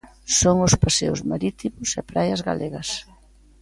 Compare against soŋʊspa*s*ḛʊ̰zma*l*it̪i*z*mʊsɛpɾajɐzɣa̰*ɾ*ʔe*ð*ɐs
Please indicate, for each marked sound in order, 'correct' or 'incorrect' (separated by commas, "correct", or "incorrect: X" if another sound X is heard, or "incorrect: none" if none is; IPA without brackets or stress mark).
correct, incorrect: ɾ, incorrect: none, incorrect: l, incorrect: ɣ